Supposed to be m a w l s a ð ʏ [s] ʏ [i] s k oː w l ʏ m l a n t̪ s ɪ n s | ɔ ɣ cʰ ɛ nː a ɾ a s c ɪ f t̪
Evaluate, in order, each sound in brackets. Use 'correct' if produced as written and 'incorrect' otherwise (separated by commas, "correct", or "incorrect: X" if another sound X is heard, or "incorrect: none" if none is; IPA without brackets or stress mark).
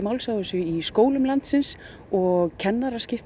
correct, correct